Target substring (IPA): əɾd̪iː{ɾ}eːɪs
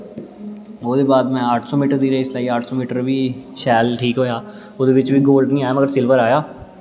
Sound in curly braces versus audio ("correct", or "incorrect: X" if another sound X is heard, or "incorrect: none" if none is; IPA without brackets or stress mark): correct